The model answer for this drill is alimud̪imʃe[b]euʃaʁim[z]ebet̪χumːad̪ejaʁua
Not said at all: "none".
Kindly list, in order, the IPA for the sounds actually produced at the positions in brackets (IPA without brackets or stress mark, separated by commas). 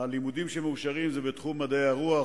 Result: m, z